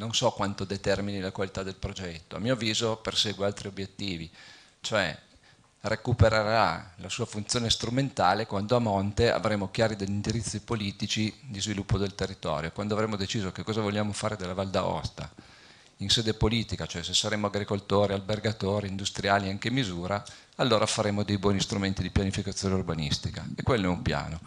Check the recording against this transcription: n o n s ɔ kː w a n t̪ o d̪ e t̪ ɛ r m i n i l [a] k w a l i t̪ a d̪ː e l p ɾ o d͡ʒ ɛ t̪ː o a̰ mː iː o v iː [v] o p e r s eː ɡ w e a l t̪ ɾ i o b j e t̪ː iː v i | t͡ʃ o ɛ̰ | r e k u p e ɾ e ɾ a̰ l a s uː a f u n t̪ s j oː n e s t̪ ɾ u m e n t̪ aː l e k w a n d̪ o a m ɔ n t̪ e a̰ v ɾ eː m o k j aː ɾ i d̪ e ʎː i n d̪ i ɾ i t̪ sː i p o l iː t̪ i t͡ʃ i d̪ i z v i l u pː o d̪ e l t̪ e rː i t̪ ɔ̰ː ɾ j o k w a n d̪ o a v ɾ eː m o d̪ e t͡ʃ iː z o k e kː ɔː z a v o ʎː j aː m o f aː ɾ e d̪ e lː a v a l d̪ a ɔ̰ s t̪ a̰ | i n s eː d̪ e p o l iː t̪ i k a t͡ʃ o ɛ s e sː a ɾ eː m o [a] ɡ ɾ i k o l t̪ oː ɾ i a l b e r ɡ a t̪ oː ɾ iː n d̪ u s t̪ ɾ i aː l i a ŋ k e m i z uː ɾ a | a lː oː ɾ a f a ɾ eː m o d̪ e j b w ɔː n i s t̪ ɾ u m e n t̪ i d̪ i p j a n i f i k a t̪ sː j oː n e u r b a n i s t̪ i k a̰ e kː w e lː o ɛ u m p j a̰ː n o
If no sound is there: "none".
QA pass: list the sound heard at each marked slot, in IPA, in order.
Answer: a, z, a

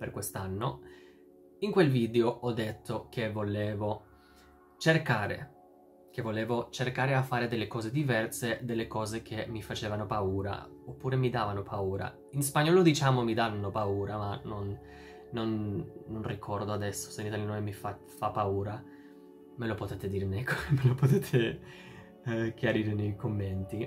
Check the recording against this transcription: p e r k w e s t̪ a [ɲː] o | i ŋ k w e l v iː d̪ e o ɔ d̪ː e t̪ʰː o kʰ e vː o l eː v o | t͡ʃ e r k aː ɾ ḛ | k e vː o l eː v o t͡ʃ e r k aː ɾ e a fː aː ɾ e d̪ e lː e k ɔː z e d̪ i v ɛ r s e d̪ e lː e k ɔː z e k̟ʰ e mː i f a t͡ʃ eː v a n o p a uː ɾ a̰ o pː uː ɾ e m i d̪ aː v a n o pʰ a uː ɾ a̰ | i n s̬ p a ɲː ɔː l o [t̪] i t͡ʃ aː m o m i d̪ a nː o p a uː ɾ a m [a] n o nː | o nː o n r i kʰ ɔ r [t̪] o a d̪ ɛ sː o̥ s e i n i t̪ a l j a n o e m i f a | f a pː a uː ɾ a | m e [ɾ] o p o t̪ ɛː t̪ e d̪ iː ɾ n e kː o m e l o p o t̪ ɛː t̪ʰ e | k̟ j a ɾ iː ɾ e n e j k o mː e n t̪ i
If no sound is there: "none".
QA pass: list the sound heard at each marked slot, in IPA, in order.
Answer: nː, d̪, a, d̪, l

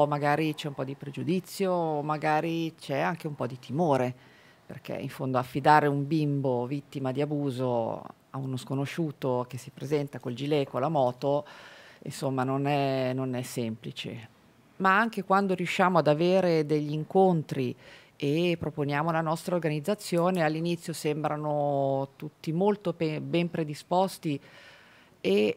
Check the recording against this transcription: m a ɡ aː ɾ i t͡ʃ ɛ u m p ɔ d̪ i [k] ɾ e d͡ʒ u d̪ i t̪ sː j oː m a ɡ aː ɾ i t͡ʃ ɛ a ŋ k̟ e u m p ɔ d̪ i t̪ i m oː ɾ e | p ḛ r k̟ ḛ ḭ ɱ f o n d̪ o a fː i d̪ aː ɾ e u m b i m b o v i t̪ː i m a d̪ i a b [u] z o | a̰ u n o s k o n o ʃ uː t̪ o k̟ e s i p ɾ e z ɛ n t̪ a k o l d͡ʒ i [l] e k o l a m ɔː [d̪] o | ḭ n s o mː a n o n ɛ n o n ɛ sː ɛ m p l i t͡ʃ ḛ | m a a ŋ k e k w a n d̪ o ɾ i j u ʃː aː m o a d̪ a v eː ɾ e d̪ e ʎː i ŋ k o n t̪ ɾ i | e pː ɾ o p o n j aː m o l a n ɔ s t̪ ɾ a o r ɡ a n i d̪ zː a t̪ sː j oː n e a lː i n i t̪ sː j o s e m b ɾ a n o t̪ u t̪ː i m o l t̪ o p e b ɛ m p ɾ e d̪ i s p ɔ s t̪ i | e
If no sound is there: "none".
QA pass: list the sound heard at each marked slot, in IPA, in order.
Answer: p, uː, l, t̪

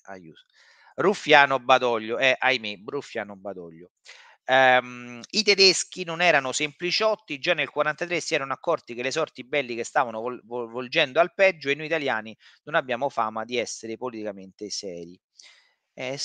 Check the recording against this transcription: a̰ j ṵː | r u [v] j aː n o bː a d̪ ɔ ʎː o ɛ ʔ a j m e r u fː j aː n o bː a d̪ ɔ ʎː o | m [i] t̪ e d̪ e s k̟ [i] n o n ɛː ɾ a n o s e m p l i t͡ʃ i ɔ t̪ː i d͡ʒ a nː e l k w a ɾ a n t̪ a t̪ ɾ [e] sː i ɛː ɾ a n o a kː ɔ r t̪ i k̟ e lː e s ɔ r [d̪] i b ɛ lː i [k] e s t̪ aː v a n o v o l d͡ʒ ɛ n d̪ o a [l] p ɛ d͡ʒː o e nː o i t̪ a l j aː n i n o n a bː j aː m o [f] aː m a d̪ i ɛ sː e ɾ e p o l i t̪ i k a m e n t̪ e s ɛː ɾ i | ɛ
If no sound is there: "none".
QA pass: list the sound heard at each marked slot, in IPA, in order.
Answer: f, i, i, e, t̪, k, l, f

